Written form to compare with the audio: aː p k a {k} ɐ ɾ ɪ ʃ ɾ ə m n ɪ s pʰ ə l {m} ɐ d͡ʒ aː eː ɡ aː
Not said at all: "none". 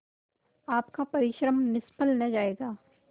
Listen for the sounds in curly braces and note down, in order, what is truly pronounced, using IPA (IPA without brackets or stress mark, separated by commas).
p, n